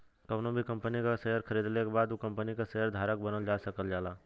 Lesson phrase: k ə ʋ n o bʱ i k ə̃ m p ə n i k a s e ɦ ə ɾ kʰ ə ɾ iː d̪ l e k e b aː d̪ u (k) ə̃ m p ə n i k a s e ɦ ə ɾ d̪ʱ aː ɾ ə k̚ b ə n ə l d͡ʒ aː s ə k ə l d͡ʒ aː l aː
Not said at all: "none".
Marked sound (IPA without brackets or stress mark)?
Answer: k